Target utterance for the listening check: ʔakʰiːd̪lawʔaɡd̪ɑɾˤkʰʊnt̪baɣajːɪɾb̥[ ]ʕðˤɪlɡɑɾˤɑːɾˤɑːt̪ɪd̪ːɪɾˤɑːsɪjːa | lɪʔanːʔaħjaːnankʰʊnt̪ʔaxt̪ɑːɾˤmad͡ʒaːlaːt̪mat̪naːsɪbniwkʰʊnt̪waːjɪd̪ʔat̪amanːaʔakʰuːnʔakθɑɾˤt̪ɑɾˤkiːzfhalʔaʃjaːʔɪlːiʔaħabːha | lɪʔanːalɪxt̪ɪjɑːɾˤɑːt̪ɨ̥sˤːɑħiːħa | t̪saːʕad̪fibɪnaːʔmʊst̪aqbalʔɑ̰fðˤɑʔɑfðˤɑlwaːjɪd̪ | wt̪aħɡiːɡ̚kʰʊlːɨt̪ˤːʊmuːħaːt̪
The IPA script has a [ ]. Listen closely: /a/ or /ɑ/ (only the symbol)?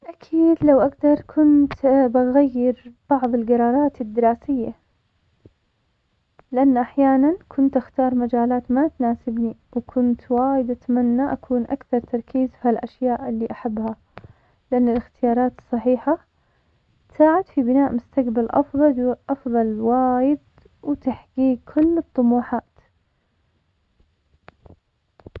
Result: ɑ